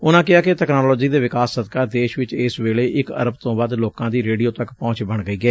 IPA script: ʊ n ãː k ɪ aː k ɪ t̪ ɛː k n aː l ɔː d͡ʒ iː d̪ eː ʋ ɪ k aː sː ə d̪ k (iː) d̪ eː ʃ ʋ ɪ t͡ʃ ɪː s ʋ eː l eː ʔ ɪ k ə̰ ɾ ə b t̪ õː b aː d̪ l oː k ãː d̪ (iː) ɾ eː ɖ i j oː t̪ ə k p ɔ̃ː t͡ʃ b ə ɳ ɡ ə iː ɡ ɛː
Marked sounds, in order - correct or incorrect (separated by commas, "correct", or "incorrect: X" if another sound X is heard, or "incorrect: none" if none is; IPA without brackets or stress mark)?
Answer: incorrect: aː, correct